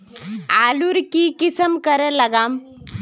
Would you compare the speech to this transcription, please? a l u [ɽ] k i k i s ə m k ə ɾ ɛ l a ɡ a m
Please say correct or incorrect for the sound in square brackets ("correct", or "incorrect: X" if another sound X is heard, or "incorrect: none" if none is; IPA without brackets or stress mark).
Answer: incorrect: ɾ